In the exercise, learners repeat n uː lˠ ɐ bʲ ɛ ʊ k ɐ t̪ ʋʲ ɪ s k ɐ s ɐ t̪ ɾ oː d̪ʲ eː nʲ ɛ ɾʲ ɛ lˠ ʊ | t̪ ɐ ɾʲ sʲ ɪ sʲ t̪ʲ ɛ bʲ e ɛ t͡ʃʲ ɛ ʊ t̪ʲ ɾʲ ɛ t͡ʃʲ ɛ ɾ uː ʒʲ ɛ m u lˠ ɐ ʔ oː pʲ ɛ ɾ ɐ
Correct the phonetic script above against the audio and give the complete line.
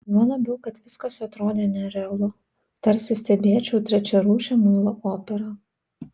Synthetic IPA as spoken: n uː lˠ ɐ bʲ ɛ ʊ k ɐ t̪ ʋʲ ɪ s k ɐ s ɐ t̪ ɾ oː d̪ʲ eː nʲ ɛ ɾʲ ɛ lˠ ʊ | t̪ ɐ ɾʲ sʲ ɪ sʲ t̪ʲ ɛ bʲ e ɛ t͡ʃʲ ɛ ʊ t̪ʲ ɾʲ ɛ t͡ʃʲ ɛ ɾ uː ʃʲ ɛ m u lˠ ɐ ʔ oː pʲ ɛ ɾ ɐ